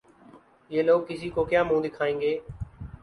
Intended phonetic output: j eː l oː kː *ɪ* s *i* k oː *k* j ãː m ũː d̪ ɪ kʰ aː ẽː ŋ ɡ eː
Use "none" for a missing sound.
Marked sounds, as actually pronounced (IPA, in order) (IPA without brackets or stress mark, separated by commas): ɪ, iː, k